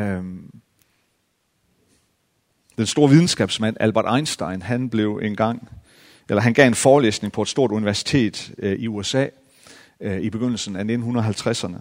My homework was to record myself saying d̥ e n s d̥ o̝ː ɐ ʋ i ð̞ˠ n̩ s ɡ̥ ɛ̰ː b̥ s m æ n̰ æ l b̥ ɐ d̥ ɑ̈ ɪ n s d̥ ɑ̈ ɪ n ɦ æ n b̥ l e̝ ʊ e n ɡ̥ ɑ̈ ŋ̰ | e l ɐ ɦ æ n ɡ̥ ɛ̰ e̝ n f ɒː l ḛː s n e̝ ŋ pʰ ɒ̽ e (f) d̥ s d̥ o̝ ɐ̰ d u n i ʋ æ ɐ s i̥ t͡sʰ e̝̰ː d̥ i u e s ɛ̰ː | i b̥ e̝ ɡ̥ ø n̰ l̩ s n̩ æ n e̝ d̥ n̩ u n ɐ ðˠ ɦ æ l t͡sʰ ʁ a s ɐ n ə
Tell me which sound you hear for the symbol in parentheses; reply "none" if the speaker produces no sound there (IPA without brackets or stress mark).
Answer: none